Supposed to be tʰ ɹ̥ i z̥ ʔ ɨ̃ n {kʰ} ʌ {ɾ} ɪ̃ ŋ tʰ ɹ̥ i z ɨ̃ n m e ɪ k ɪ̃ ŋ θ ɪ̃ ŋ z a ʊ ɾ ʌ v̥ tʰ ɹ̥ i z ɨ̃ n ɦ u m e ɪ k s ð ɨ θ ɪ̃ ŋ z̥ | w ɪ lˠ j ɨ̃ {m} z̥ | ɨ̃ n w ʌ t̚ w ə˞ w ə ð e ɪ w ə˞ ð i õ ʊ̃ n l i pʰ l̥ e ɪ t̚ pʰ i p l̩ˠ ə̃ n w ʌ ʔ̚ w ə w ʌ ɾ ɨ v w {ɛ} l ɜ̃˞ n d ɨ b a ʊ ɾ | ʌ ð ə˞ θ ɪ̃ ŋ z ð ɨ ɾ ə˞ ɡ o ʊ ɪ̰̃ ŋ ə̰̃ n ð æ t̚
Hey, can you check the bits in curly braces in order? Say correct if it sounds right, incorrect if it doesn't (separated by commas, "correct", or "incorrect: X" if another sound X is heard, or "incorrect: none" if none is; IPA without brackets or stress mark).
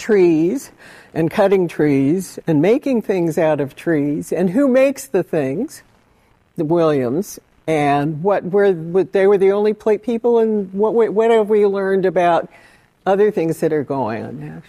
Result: correct, correct, correct, incorrect: i